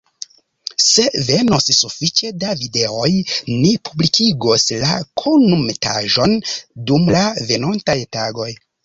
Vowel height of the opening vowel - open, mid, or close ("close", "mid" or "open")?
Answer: mid